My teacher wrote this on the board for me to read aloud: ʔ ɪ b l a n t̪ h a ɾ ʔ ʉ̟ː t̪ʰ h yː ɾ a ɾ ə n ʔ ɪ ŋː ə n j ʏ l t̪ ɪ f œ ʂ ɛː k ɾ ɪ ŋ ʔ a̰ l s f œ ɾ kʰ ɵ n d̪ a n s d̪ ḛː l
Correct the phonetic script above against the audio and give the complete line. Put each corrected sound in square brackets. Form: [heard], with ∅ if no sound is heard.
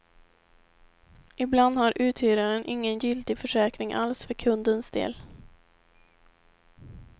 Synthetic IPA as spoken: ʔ ɪ b l a n [d̪] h a ɾ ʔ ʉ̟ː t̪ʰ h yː ɾ a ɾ ə n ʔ ɪ ŋː ə n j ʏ l t̪ ɪ f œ ʂ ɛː k ɾ ɪ ŋ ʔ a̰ l s f œ ɾ kʰ ɵ n d̪ [ə] n s d̪ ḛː l

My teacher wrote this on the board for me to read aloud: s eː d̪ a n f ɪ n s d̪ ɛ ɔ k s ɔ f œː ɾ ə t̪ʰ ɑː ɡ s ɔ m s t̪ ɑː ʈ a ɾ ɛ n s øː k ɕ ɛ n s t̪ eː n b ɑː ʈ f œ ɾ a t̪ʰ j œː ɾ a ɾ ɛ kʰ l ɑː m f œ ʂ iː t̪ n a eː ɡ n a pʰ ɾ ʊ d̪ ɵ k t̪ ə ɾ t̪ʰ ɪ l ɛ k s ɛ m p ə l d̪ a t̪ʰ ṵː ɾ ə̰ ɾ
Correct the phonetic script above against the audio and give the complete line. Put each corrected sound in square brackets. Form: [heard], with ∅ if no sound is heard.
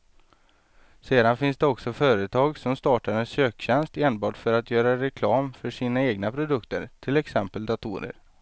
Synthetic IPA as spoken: s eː d̪ a n f ɪ n s d̪ ɛ ɔ k s ɔ f œː ɾ ə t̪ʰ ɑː ɡ s ɔ m s t̪ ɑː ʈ a ɾ ɛ n s øː k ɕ ɛ n s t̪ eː n b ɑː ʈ f œ ɾ a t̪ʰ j œː ɾ a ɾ ɛ kʰ l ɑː m f œ ʂ iː [∅] n a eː ɡ n a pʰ ɾ ʊ d̪ ɵ k t̪ ə ɾ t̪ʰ ɪ l ɛ k s ɛ m p ə l d̪ a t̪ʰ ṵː ɾ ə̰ ɾ

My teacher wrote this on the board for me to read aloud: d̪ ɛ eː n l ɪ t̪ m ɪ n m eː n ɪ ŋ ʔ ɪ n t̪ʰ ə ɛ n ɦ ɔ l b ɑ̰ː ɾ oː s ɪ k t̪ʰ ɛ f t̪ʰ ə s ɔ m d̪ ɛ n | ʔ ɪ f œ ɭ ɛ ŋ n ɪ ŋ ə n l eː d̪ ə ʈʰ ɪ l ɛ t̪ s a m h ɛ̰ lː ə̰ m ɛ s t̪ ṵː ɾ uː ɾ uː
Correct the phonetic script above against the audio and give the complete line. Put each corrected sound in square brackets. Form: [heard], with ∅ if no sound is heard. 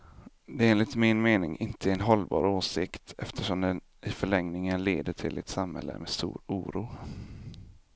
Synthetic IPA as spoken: d̪ ɛ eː n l ɪ t̪ m ɪ n m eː n ɪ ŋ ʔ ɪ n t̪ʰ ə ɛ n ɦ ɔ l b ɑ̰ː ɾ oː s ɪ k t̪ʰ ɛ f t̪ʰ ə [ʂ] ɔ m d̪ ɛ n | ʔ ɪ f œ ɭ ɛ ŋ n ɪ ŋ ə n l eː d̪ ə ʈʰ ɪ l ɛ t̪ s a m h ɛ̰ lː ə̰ m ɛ s t̪ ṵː ɾ uː ɾ uː

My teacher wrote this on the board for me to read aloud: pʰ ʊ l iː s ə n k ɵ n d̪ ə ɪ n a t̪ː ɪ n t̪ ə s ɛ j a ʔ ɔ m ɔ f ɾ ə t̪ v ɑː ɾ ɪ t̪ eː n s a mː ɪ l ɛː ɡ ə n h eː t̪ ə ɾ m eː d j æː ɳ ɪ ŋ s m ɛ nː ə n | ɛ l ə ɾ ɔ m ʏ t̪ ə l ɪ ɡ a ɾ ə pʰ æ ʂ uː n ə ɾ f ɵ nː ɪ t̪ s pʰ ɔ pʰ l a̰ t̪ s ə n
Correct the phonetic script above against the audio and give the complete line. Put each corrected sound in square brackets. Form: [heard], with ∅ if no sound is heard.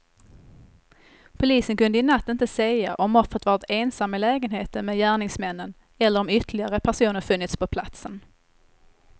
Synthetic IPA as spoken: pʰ ʊ l iː s ə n k ɵ n d̪ ə ɪ n a t̪ː ɪ n t̪ ə s ɛ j a ʔ ɔ m ɔ f ɾ ə t̪ v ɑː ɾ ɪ t̪ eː n s a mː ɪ l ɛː ɡ ə n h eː t̪ ə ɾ m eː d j æː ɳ ɪ ŋ s m ɛ nː ə n | ɛ [lː] ə ɾ ɔ m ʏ t̪ ə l ɪ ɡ a ɾ ə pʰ æ ʂ uː n ə ɾ f ɵ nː ɪ t̪ s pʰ ɔ pʰ l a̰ t̪ s ə n

